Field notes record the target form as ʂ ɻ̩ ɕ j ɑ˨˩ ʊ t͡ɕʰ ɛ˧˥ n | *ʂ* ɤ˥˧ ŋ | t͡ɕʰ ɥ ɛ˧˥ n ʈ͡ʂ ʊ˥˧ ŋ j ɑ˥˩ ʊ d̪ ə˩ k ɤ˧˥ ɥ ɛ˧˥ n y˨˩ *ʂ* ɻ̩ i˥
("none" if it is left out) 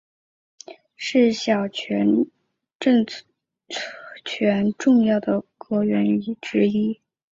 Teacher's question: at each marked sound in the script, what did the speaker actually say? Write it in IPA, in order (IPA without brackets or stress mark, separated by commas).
ʈ͡ʂ, ʈ͡ʂ